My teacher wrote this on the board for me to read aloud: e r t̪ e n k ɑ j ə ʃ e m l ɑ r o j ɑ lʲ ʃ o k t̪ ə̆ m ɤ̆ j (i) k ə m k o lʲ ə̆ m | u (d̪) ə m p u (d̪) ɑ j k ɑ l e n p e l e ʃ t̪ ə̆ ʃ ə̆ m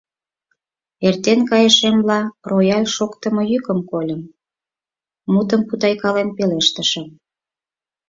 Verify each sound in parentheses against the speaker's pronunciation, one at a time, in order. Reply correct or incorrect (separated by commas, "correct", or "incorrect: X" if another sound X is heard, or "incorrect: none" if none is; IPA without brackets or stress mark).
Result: incorrect: y, incorrect: t̪, incorrect: t̪